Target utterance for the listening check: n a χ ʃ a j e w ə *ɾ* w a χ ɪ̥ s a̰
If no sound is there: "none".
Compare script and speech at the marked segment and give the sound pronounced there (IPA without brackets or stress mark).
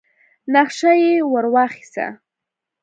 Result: ɾ